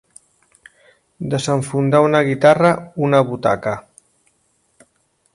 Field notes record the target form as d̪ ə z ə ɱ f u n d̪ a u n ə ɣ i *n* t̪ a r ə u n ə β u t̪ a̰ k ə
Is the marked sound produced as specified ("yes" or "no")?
no